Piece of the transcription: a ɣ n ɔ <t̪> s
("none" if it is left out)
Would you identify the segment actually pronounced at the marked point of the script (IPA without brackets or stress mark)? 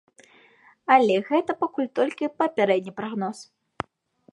none